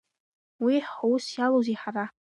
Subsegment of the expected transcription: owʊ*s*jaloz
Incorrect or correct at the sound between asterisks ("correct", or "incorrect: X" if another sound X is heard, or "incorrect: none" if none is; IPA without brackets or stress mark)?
correct